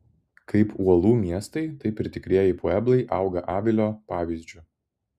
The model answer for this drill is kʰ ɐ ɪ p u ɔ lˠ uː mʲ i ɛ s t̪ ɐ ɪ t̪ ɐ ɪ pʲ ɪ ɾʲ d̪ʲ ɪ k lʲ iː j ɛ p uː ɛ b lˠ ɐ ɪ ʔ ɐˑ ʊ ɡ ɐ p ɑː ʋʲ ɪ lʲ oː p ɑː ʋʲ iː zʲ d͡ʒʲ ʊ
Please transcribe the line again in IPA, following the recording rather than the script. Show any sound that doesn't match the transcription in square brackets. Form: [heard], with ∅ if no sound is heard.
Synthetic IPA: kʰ ɐ ɪ p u ɔ lˠ uː mʲ i ɛ s t̪ ɐ ɪ t̪ ɐ ɪ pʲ ɪ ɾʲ [t̪ʲ] ɪ k [ɾʲ] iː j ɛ p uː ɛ b lˠ ɐ ɪ ʔ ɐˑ ʊ ɡ ɐ [ʔ] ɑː ʋʲ ɪ lʲ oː p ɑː ʋʲ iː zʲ d͡ʒʲ ʊ